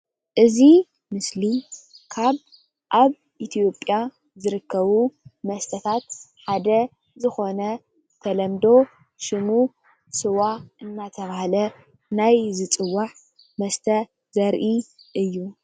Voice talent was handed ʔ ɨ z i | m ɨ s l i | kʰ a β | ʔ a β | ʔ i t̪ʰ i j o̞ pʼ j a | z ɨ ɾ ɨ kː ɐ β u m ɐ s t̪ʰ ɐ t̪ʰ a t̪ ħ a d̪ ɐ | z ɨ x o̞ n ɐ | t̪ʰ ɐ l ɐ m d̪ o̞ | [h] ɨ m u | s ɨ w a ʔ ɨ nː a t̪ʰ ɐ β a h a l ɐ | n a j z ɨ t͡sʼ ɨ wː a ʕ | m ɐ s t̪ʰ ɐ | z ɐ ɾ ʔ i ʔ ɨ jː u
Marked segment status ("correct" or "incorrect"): incorrect